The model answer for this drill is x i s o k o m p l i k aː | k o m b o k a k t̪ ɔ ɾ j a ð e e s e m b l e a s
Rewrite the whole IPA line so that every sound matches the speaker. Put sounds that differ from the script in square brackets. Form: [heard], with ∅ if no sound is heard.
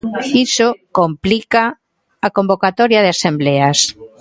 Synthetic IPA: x i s o k o m p l i k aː | k o m b o k a [∅] t̪ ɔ ɾ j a ð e [a] s e m b l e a s